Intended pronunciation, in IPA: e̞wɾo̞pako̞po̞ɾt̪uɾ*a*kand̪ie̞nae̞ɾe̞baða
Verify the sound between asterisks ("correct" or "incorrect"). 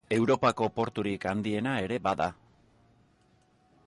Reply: incorrect